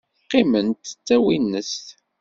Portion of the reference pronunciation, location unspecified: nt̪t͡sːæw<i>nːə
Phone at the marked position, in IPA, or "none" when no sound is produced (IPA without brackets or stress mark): i